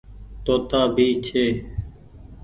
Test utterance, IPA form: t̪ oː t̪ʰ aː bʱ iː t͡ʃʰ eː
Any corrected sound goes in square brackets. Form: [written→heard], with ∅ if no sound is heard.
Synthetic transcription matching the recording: t̪ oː [t̪ʰ→t̪] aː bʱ iː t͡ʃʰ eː